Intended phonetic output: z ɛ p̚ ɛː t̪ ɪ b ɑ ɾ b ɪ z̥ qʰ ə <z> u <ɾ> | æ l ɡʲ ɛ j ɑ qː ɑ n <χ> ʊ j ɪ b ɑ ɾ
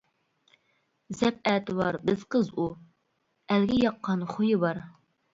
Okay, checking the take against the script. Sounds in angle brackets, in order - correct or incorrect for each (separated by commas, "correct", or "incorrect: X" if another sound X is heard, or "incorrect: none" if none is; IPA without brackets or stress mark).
correct, incorrect: none, correct